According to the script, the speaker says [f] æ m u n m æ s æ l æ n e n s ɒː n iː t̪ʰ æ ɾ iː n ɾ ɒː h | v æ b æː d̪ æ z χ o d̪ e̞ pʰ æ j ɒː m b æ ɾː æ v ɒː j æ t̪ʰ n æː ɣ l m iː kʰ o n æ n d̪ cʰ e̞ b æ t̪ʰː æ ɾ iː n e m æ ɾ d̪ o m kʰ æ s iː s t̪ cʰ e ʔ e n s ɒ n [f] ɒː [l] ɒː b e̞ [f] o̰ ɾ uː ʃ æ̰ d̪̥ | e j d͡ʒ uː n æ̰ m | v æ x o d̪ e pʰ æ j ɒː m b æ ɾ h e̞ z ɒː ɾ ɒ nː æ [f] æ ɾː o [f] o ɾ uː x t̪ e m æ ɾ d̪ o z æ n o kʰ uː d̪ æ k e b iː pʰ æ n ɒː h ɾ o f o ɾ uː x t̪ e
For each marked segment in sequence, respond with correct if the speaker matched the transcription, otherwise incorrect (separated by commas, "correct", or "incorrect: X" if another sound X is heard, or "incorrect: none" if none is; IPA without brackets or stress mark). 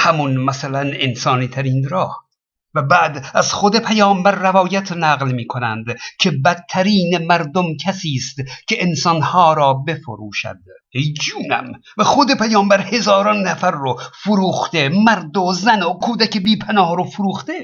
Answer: incorrect: h, incorrect: h, incorrect: ɾ, correct, correct, correct